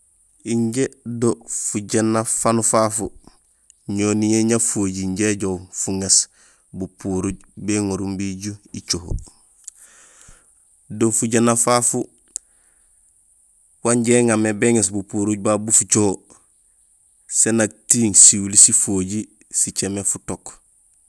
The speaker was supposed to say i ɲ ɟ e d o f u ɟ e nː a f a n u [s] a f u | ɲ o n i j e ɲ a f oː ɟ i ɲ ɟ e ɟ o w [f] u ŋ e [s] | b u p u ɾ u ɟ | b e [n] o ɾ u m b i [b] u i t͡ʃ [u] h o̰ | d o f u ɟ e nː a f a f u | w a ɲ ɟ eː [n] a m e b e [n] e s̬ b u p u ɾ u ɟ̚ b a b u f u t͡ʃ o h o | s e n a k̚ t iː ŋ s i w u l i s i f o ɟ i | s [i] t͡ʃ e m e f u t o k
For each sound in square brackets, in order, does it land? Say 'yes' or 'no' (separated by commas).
no, yes, yes, no, no, no, no, no, yes